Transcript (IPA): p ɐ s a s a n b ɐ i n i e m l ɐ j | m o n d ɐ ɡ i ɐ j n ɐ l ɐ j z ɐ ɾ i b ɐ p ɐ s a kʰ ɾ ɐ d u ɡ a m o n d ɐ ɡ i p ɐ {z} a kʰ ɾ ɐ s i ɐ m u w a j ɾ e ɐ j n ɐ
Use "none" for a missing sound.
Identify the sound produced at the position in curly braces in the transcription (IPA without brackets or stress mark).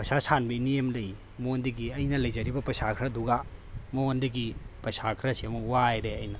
s